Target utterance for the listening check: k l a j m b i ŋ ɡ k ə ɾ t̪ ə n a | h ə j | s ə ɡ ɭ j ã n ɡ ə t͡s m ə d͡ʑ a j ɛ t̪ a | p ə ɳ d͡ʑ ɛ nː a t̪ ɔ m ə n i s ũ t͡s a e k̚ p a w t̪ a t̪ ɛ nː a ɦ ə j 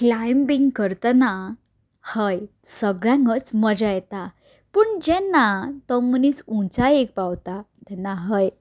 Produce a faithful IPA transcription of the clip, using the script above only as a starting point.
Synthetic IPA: k l a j m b i ŋ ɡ k ə ɾ t̪ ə n a | h ə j | s ə ɡ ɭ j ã ŋ ɡ ə t͡s m ə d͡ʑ a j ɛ t̪ a | p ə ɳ d͡ʑ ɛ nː a t̪ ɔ m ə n i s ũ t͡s a e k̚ p a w t̪ a t̪ ɛ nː a ɦ ə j